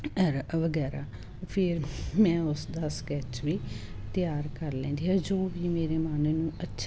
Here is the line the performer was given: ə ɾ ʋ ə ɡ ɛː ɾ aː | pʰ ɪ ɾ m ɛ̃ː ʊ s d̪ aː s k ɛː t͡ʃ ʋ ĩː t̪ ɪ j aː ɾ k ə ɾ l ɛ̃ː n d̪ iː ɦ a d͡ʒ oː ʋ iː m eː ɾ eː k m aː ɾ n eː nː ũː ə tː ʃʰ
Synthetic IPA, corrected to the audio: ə ɾ ʋ ə ɡ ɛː ɾ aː | pʰ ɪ ɾ m ɛ̃ː ʊ s d̪ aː s k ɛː t͡ʃ ʋ iː t̪ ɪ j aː ɾ k ə ɾ l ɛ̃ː n d̪ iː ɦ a d͡ʒ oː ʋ iː m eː ɾ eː m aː n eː n ũː ə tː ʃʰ